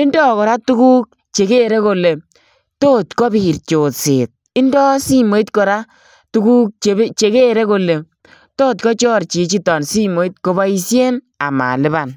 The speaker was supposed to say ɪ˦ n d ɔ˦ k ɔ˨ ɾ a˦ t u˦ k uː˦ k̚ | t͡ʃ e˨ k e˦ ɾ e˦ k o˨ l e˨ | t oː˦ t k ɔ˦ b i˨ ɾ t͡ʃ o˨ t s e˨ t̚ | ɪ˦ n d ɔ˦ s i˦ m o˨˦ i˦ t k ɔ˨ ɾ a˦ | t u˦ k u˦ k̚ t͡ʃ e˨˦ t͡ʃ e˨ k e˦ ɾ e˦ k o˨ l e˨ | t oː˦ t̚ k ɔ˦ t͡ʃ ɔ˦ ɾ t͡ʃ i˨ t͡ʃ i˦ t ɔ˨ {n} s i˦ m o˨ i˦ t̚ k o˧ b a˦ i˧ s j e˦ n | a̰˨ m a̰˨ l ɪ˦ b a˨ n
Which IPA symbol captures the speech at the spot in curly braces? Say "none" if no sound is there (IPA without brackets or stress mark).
n